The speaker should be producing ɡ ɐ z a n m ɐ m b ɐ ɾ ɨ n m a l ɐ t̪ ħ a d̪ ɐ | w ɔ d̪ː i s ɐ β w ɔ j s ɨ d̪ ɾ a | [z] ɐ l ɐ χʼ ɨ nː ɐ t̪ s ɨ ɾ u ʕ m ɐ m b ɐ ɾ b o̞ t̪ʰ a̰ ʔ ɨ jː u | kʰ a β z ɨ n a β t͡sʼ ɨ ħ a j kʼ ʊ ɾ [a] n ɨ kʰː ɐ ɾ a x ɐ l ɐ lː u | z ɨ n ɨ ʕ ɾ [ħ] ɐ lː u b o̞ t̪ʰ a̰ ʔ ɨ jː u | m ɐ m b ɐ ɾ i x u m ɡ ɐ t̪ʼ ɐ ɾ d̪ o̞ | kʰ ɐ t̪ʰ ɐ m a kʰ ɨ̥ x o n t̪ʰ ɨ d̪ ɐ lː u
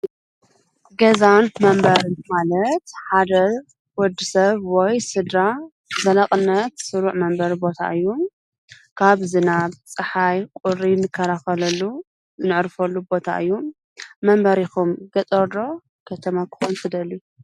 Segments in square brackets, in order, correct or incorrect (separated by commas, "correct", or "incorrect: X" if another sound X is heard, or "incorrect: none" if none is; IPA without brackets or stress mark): correct, incorrect: i, incorrect: f